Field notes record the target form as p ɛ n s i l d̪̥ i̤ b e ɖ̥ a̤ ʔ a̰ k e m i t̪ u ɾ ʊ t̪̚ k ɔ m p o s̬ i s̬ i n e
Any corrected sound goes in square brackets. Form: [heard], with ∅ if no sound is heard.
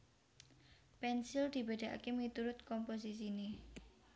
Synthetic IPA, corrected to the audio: p ɛ n s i l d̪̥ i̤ b e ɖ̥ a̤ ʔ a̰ k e m i t̪ u ɾ ʊ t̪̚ k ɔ m p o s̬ i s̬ i n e